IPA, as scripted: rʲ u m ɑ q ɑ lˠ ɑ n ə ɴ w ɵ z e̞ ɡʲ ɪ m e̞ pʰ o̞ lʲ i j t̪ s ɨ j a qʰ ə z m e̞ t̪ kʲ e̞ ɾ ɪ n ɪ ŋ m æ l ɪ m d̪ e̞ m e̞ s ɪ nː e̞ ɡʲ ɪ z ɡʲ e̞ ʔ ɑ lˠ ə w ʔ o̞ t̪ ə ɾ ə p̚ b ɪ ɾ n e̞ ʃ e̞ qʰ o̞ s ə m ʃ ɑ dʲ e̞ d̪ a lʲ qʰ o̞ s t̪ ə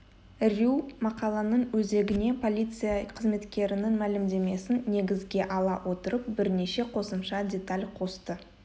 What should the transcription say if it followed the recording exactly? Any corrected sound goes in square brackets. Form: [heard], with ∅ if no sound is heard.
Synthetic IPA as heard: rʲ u m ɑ q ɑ lˠ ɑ n ə ɴ w ɵ z e̞ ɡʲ ɪ [n] e̞ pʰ o̞ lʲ i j t̪ s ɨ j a qʰ ə z m e̞ t̪ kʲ e̞ ɾ ɪ n ɪ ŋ m æ l ɪ m d̪ e̞ m e̞ s ɪ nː e̞ ɡʲ ɪ z ɡʲ e̞ ʔ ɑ lˠ [ɑ] w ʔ o̞ t̪ ə ɾ ə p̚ b ɪ ɾ n e̞ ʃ e̞ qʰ o̞ s ə m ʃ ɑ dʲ e̞ [t̪] a lʲ qʰ o̞ s t̪ ə